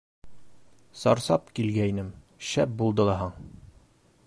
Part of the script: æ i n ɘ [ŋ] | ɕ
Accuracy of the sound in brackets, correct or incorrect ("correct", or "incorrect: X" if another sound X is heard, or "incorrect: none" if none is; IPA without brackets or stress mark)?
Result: incorrect: m